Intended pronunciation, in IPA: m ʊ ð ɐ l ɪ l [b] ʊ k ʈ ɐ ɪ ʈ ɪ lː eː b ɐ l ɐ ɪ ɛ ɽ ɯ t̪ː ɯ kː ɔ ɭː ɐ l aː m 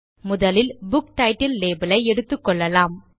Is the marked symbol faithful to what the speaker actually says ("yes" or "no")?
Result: yes